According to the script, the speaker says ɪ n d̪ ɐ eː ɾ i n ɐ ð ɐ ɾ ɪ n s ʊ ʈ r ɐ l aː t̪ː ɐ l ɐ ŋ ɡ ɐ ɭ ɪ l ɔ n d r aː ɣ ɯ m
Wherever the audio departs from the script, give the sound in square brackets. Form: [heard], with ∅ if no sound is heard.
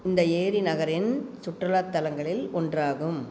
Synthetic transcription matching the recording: ɪ n d̪ ɐ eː ɾ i n ɐ [ɣ] ɐ ɾ ɪ n s ʊ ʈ r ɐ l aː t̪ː ɐ l ɐ ŋ ɡ ɐ ɭ ɪ l ɔ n d r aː ɣ ɯ m